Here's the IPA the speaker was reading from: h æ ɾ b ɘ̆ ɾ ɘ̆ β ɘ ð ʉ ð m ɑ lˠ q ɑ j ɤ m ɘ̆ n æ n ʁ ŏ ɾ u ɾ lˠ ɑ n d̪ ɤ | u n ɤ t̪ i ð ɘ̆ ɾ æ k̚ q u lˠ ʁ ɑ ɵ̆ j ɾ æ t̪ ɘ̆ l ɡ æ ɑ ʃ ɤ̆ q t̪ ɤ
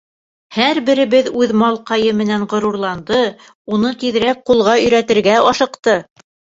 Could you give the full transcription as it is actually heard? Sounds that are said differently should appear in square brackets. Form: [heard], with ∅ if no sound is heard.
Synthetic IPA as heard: h æ ɾ b ɘ̆ ɾ ɘ̆ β ɘ ð ʉ ð m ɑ lˠ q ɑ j ɤ m ɘ̆ n æ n ʁ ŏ ɾ u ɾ lˠ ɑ n d̪ ɤ | u n ɤ t̪ i ð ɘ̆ ɾ æ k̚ q u lˠ ʁ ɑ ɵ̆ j ɾ æ t̪ ɘ̆ [ɾ] ɡ æ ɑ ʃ ɤ̆ q t̪ ɤ